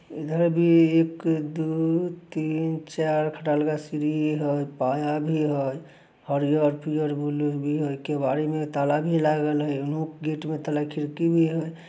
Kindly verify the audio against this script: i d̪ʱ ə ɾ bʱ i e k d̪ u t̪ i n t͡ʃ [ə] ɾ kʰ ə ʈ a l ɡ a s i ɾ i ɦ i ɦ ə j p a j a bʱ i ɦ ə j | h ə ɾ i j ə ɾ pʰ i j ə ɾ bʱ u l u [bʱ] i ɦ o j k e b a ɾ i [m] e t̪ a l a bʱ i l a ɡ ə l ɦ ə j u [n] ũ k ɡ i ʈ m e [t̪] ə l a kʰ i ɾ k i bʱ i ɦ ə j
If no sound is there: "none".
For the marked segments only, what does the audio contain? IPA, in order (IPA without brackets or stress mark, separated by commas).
a, bʱ, m, n, t̪